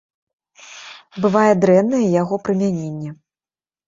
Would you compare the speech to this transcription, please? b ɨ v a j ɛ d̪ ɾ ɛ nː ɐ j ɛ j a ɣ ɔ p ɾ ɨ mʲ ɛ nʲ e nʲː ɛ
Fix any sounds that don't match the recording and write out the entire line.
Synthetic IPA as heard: b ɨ v a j ɛ d̪ ɾ ɛ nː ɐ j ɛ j a ɣ ɔ p ɾ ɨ mʲ a nʲ e nʲː ɛ

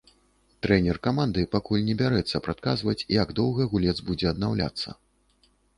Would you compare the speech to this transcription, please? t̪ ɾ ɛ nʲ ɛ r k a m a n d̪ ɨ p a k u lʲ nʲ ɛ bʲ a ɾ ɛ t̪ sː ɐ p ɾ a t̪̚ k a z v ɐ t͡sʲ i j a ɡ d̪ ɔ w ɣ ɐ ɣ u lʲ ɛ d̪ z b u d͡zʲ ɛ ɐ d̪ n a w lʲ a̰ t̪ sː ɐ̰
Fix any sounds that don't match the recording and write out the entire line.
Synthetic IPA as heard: t̪ ɾ ɛ nʲ ɛ r k a m a n d̪ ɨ p a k u lʲ nʲ ɛ bʲ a ɾ ɛ t̪ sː ɐ p ɾ a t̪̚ k a z v ɐ t͡sʲ i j a ɡ d̪ ɔ w ɣ ɐ ɣ u lʲ ɛ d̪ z b u d͡zʲ ɛ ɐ d̪ n a w lʲ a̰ t̪ sː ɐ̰

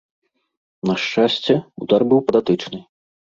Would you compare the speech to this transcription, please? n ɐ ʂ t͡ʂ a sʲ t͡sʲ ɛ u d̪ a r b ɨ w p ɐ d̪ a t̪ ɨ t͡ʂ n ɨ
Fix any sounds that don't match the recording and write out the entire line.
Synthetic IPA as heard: n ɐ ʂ t͡ʂ a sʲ t͡sʲ ɛ u d̪ a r b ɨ w p ɐ d̪ a t̪ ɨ t͡ʂ n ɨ

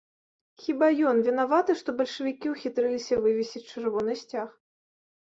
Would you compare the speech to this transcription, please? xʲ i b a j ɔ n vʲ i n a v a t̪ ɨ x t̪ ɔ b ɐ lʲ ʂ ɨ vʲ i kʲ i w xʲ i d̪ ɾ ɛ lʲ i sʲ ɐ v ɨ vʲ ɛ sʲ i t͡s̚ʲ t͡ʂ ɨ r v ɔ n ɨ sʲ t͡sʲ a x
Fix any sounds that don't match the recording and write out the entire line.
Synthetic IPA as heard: xʲ i b a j ɔ n vʲ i n a v a t̪ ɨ ʂ t̪ ɔ b ɐ lʲ ʂ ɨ vʲ i kʲ i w xʲ i t̪ ɾ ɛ lʲ i sʲ ɐ v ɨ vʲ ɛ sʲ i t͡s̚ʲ t͡ʂ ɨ r v ɔ n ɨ sʲ t͡sʲ a x

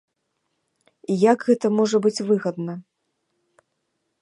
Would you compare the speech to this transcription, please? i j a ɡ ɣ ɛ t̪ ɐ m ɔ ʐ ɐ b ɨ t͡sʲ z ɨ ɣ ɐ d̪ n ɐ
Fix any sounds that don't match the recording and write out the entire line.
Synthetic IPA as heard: i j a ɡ ɣ ɛ t̪ ɐ m ɔ ʐ ɐ b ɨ t͡sʲ v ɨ ɣ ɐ d̪ n ɐ

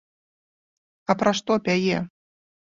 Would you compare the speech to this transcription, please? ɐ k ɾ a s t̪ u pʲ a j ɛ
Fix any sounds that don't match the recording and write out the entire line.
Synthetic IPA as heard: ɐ p ɾ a ʂ t̪ ɔ pʲ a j ɛ

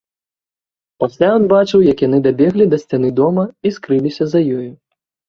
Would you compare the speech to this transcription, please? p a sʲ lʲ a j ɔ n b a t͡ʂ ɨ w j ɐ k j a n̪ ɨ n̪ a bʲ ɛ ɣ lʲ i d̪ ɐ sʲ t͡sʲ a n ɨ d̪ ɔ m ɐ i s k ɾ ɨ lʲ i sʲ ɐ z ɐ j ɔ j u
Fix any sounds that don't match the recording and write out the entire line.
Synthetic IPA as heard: p a sʲ lʲ a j ɔ n b a t͡ʂ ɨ w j ɐ k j a n̪ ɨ d̪ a bʲ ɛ ɣ lʲ i d̪ ɐ sʲ t͡sʲ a n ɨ d̪ ɔ m ɐ i s k ɾ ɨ lʲ i sʲ ɐ z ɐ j ɔ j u

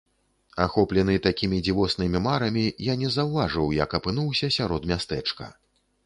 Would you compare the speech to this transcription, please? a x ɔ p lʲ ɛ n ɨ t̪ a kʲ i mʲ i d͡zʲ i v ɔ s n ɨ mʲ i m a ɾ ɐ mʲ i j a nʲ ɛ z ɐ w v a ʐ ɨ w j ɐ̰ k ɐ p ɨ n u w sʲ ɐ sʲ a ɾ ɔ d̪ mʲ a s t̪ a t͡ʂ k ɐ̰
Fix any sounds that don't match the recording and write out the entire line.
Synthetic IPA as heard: a x ɔ p lʲ ɛ n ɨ t̪ a kʲ i mʲ i d͡zʲ i v ɔ s n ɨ mʲ i m a ɾ ɐ mʲ i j a nʲ ɛ z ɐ w v a ʐ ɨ w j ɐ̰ k ɐ p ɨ n u w sʲ ɐ sʲ a ɾ ɔ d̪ mʲ a s t̪ ɛ t͡ʂ k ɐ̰

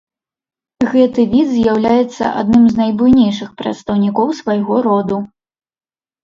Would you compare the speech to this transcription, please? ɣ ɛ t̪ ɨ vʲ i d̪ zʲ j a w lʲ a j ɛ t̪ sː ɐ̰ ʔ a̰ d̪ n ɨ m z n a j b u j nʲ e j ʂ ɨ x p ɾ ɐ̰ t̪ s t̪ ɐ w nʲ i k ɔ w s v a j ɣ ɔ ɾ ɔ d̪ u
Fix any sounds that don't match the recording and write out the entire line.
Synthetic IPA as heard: ɣ ɛ t̪ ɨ vʲ i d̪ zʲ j a w lʲ a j ɛ t̪ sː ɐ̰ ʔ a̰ d̪ n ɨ m z n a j b u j nʲ e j ʂ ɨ x p ɾ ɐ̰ t̪ s t̪ ɐ w nʲ i k ɔ w s v a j ɣ ɔ ɾ ɔ d̪ u

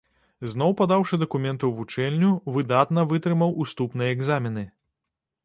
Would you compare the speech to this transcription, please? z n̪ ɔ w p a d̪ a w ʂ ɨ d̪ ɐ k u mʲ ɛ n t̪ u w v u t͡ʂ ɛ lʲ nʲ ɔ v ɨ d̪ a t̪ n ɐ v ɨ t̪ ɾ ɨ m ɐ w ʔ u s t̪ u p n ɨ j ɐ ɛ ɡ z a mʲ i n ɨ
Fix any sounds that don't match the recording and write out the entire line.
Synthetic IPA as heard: z n̪ ɔ w p a d̪ a w ʂ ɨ d̪ ɐ k u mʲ ɛ n t̪ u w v u t͡ʂ ɛ lʲ nʲ u v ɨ d̪ a t̪ n ɐ v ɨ t̪ ɾ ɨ m ɐ w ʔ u s t̪ u p n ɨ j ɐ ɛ ɡ z a mʲ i n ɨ

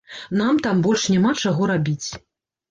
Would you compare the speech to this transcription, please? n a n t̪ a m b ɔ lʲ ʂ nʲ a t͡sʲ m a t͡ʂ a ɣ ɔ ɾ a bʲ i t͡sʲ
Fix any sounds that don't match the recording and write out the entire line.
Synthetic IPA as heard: n a m t̪ a m b ɔ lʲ ʂ nʲ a m a t͡ʂ a ɣ ɔ ɾ a bʲ i t͡sʲ

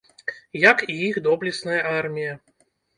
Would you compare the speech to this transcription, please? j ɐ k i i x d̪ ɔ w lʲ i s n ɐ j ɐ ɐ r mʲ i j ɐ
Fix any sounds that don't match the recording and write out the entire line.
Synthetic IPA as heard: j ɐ k i i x d̪ ɔ b lʲ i s n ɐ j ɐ a r mʲ i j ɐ

